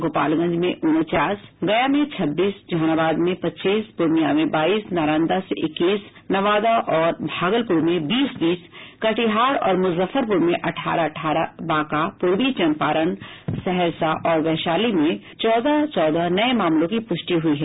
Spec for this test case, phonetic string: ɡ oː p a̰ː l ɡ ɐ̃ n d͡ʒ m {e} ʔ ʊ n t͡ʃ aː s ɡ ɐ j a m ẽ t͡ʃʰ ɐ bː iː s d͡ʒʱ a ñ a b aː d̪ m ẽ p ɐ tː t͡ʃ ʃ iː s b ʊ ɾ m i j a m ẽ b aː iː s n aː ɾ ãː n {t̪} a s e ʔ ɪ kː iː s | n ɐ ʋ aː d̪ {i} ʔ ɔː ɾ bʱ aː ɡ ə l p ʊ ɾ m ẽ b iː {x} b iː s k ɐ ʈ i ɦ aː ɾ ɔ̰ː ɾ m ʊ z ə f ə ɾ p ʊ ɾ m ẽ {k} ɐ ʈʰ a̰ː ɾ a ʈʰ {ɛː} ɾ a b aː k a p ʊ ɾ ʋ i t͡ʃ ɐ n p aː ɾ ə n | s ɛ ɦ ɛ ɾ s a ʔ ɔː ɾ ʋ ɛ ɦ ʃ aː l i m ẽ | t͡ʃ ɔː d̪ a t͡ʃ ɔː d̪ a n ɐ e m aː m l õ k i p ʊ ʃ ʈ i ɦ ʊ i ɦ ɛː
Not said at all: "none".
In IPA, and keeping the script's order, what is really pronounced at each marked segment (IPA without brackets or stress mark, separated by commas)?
ẽ, d̪, a, s, ʔ, aː